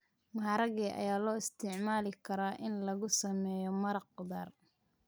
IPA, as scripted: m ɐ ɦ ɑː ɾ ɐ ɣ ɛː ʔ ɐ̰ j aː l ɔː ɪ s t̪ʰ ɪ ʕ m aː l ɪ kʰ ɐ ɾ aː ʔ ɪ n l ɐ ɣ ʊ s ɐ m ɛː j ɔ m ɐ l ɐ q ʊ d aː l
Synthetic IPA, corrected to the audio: m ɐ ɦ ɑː ɾ ɐ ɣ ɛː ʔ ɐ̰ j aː l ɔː ɪ s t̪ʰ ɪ ʕ m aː l ɪ kʰ ɐ ɾ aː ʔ ɪ n l ɐ ɣ ʊ s ɐ m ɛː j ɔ m ɐ ɾ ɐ q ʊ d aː r